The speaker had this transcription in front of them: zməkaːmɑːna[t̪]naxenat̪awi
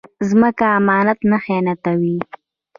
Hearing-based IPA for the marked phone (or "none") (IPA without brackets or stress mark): t̪